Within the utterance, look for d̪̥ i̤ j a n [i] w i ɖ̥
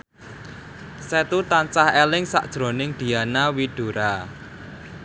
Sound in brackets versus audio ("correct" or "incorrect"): incorrect